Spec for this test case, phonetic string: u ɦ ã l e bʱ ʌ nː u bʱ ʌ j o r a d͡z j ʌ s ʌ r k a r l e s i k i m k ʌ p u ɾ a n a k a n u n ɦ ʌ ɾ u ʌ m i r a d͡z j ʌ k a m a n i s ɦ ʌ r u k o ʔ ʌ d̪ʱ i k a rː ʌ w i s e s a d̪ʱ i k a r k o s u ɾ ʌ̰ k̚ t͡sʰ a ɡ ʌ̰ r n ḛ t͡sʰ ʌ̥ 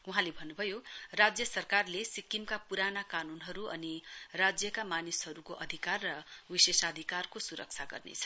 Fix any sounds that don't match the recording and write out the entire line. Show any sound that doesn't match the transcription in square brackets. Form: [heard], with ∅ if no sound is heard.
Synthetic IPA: u ɦ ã l e bʱ ʌ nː u bʱ ʌ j o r a d͡z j ʌ s ʌ r k a r l e s i k i m k [a] p u ɾ a n a k a n u n ɦ ʌ ɾ u ʌ [n] i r a d͡z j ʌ k a m a n i s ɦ ʌ [ɾ] u k o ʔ ʌ d̪ʱ i k a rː ʌ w i s e s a d̪ʱ i k a r k o s u ɾ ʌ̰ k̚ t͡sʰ a ɡ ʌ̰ r n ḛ t͡sʰ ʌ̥